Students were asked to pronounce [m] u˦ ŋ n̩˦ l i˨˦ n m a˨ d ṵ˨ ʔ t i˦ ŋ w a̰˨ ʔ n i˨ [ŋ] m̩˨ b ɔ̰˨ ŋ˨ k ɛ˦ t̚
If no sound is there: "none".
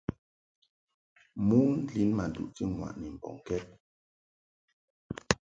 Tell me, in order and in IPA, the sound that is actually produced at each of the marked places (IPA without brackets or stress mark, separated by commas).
m, none